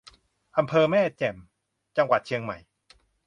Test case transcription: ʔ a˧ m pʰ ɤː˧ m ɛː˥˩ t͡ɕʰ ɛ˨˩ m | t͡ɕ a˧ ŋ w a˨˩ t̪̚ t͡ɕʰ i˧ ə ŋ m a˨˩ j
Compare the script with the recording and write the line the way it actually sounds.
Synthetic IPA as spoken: ʔ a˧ m pʰ ɤː˧ m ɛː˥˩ t͡ɕ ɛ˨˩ m | t͡ɕ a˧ ŋ w a˨˩ t̪̚ t͡ɕʰ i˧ ə ŋ m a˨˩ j